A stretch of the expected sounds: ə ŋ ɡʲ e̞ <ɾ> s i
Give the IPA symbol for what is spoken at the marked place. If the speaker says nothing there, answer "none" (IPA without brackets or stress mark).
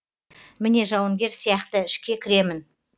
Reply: ɾ